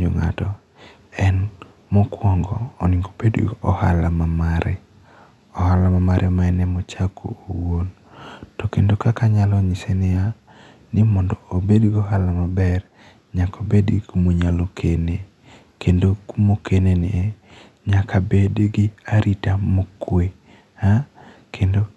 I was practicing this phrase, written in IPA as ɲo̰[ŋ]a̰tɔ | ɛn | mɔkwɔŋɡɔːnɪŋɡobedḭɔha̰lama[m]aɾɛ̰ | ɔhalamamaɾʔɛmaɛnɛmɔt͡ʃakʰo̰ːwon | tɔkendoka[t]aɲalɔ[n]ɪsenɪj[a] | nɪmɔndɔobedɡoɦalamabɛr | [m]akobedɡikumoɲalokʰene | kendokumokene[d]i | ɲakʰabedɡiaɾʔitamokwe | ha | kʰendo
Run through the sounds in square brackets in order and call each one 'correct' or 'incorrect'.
correct, correct, incorrect: k, incorrect: ɲ, correct, incorrect: ɲ, incorrect: n

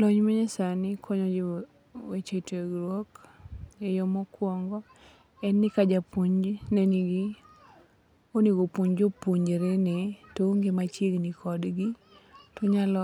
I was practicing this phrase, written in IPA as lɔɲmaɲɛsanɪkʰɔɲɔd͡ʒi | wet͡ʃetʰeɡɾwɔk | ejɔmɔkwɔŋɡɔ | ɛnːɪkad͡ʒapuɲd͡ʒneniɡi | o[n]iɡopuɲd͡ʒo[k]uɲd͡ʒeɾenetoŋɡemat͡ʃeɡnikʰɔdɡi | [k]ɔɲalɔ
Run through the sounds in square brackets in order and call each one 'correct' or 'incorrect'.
correct, incorrect: p, incorrect: t

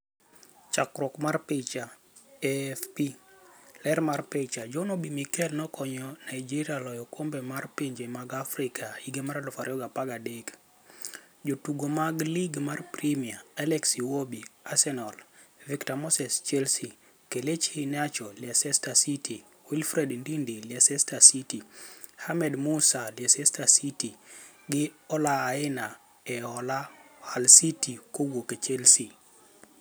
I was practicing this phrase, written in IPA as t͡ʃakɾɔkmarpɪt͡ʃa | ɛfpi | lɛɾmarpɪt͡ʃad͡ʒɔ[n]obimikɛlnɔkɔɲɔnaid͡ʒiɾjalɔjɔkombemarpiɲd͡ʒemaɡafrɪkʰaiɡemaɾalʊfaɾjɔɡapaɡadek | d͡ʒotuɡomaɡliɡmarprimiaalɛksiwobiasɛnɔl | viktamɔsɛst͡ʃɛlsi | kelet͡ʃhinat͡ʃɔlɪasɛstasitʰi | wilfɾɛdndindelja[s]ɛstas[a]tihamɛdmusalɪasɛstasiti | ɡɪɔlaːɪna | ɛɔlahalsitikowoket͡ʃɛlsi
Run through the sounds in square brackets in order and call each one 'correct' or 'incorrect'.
correct, correct, incorrect: i

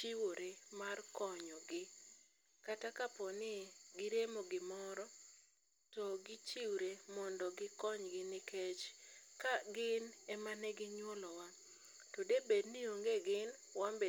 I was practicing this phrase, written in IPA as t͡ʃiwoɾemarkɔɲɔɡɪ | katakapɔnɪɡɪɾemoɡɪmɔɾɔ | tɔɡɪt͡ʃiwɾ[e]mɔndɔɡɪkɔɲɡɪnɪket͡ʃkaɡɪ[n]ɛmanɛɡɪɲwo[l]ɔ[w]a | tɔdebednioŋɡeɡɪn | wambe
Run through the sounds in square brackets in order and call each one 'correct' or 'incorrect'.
correct, correct, correct, correct

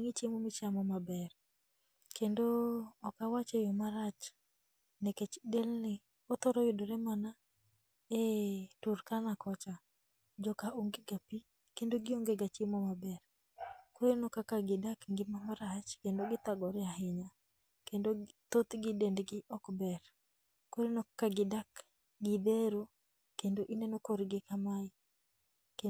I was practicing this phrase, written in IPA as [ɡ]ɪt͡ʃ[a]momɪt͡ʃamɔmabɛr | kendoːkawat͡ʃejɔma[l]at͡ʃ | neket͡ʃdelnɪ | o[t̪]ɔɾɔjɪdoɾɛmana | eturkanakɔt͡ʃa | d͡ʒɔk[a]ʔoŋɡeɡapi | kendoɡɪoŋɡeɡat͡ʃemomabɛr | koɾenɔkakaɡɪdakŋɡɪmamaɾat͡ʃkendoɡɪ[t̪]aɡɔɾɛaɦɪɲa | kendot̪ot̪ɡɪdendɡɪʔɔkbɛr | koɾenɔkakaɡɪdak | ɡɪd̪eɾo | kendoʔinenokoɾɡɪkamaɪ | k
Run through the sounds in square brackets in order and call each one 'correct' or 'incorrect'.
incorrect: ŋ, incorrect: e, incorrect: ɾ, correct, correct, correct

